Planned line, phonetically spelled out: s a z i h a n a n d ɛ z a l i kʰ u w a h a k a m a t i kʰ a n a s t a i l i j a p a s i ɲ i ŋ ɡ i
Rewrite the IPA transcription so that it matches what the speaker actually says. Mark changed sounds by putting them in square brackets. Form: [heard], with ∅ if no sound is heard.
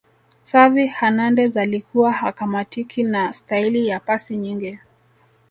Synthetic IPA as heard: s a [v] i h a n a n d ɛ z a l i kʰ u w a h a k a m a t i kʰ [i] n a s t a i l i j a p a s i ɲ i ŋ ɡ i